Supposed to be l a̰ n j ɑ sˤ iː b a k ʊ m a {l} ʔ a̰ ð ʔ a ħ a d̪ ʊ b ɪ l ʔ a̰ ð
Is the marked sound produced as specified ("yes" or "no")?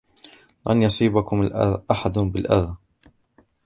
yes